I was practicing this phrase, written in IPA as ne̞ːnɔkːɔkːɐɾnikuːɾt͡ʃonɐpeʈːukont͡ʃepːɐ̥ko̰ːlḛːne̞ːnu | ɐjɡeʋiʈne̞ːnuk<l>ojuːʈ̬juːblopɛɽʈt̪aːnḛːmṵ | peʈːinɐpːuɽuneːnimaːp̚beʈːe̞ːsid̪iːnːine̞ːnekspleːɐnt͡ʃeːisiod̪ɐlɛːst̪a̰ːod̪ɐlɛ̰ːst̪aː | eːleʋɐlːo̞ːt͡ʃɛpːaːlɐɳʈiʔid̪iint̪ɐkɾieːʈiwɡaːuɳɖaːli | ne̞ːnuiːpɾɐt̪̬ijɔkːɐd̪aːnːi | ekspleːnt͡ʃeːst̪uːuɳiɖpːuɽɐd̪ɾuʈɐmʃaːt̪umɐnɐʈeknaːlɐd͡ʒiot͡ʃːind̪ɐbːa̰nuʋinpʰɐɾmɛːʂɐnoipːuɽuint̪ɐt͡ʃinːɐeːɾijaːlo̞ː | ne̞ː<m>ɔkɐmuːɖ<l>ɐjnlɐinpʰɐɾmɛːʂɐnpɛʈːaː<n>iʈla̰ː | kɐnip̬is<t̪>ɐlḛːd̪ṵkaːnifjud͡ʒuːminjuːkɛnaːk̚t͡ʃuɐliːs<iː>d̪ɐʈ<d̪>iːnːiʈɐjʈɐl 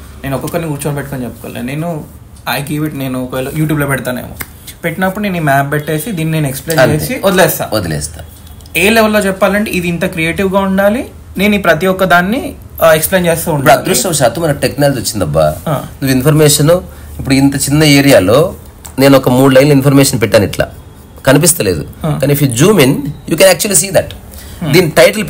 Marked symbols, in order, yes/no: yes, no, yes, yes, yes, yes, yes

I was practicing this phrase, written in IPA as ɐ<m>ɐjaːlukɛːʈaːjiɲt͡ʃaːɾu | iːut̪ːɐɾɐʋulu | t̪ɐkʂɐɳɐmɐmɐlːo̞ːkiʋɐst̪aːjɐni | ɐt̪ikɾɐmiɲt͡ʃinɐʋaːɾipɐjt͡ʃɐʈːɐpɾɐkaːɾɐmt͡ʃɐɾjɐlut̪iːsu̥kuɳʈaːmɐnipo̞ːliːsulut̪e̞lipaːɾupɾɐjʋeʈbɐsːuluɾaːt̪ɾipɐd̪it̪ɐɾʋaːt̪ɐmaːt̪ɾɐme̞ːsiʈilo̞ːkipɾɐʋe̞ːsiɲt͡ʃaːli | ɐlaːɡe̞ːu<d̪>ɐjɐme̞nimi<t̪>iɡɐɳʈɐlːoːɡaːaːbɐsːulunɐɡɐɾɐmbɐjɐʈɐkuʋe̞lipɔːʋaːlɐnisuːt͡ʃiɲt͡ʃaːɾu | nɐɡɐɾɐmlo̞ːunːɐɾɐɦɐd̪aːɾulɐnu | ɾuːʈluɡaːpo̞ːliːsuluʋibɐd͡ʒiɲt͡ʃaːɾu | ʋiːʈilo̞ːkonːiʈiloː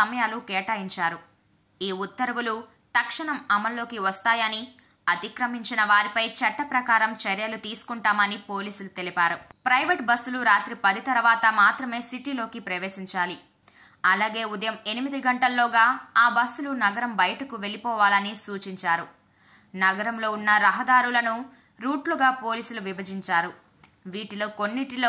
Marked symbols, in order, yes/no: yes, yes, no

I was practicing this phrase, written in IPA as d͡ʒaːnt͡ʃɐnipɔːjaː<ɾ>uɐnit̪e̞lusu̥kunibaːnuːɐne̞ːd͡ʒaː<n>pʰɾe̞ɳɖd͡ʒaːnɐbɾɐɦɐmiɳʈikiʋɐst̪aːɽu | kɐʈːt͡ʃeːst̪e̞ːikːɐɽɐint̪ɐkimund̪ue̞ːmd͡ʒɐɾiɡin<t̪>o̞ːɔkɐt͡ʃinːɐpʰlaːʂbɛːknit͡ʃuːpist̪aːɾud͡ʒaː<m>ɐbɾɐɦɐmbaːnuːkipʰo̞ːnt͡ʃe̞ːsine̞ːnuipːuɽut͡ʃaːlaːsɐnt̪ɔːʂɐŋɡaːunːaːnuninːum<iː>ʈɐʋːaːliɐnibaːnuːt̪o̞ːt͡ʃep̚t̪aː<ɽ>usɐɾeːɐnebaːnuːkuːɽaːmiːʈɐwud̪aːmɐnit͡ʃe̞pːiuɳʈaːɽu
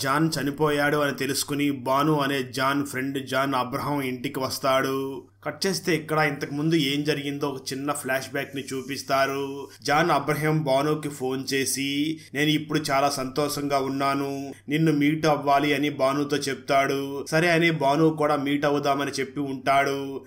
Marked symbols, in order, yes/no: no, yes, no, no, yes, yes

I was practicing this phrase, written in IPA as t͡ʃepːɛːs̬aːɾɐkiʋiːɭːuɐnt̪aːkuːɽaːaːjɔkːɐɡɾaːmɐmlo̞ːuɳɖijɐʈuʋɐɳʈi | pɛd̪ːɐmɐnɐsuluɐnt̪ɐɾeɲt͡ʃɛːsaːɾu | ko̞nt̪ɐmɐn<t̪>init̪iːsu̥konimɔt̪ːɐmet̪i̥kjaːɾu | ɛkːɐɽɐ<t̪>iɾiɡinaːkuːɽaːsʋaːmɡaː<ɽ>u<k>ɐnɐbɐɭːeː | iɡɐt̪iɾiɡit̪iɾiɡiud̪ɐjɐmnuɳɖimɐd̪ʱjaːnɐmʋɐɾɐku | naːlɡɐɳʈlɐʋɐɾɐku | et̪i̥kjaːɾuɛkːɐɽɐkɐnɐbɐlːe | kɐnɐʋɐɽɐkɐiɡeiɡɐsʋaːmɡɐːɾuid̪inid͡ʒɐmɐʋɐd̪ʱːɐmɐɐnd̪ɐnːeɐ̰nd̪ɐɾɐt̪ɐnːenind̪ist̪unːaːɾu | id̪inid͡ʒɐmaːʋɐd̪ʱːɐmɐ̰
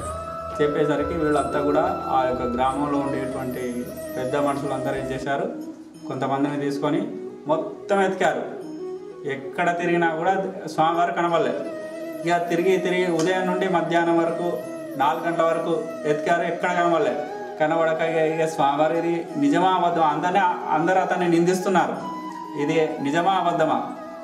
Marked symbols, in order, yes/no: no, yes, no, yes

